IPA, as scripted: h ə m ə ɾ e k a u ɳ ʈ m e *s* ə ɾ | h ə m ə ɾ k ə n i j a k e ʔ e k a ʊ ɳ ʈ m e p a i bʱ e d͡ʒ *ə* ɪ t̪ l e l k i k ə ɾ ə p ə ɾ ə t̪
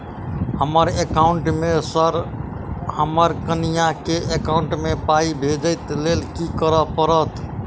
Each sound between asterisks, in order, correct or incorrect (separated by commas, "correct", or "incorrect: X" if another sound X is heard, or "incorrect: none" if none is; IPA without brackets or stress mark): correct, correct